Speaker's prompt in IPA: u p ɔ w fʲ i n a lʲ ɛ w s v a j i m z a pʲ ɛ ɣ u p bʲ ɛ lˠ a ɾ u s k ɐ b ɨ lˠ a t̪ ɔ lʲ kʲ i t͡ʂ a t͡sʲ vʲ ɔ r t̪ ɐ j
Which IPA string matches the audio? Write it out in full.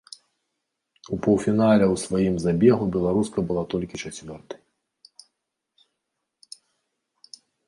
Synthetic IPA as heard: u p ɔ w fʲ i n a lʲ ɛ w s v a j i m z a bʲ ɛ ɣ u bʲ ɛ lˠ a ɾ u s k ɐ b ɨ lˠ a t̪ ɔ lʲ kʲ i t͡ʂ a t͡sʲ vʲ ɔ r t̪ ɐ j